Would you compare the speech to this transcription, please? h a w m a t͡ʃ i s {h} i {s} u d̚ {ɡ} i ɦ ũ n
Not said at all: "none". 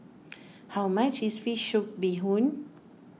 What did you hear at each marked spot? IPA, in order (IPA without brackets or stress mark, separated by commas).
f, ʃ, b